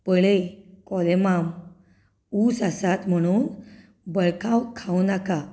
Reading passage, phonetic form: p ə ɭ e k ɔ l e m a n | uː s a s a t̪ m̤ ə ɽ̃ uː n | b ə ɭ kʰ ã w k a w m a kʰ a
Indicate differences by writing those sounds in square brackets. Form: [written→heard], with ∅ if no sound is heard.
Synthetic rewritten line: p ə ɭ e k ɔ l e m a [n→m] | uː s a s a t̪ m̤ ə ɽ̃ uː n | b ə ɭ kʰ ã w [k→kʰ] a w [m→n] a [kʰ→k] a